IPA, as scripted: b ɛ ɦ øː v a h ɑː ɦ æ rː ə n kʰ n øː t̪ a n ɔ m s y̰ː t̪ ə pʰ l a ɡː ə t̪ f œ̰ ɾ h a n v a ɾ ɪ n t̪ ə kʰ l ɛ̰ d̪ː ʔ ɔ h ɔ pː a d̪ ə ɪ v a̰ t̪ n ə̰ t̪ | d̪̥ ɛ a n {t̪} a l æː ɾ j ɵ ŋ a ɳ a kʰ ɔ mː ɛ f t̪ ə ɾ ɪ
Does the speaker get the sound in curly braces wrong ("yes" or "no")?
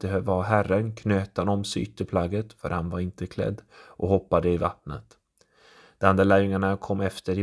yes